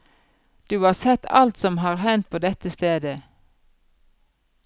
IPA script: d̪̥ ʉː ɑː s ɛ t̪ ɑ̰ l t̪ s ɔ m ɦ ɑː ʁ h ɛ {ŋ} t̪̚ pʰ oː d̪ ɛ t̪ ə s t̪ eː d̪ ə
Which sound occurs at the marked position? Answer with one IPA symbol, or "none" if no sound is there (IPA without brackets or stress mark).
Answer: n